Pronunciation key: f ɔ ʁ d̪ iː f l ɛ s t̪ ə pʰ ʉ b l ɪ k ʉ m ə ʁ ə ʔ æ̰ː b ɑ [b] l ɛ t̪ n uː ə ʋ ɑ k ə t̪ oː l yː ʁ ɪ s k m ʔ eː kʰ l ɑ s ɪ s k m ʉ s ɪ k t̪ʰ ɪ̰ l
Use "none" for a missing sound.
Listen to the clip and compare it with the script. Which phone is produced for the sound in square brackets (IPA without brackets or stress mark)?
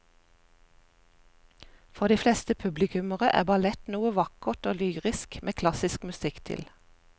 none